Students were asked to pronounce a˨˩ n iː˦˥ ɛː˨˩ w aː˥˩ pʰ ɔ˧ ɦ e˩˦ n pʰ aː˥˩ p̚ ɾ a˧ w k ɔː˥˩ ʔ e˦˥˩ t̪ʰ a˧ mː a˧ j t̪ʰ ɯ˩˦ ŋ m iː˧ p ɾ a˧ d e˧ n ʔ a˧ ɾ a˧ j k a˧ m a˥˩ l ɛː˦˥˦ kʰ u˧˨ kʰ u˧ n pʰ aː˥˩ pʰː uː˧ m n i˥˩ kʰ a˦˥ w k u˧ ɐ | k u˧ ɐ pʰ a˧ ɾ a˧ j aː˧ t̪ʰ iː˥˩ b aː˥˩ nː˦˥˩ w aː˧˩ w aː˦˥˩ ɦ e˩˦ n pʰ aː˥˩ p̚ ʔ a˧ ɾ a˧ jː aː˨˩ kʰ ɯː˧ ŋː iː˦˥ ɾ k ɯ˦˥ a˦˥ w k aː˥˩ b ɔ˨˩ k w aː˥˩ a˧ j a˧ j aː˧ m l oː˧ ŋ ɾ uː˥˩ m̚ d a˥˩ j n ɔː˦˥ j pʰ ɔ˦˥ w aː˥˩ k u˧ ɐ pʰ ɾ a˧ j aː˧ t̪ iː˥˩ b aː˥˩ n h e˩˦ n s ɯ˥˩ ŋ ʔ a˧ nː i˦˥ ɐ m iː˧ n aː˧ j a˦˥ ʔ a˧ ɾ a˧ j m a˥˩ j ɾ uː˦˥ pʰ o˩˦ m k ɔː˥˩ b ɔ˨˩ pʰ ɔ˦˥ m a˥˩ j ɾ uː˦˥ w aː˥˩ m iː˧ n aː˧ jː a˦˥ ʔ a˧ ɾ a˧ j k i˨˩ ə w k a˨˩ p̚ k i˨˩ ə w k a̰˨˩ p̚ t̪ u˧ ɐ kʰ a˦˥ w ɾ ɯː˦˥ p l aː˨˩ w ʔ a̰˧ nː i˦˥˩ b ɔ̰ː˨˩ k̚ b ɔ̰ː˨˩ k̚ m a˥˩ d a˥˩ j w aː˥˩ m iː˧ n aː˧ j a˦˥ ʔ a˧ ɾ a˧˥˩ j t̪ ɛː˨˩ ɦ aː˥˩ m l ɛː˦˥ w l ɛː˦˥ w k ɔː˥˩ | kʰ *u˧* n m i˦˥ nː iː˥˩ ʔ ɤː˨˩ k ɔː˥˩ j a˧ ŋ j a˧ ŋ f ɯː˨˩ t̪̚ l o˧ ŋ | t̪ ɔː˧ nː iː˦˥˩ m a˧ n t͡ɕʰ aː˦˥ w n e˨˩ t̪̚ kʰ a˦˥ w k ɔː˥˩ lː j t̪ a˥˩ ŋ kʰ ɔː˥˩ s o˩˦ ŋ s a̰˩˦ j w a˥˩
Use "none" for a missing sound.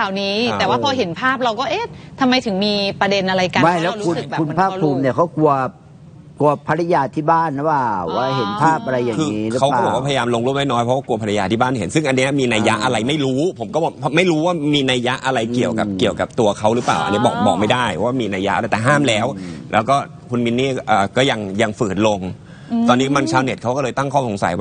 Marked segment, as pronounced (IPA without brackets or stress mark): u˧